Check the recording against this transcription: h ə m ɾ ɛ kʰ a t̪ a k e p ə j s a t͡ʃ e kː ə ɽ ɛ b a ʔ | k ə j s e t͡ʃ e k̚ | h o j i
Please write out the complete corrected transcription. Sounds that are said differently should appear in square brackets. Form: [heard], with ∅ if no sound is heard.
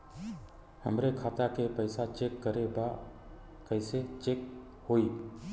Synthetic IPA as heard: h ə m ɾ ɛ kʰ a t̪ a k e p ə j s a t͡ʃ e kː ə [ɾ] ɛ b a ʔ | k ə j s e t͡ʃ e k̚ | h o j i